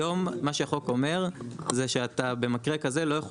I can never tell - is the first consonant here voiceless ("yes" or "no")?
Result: no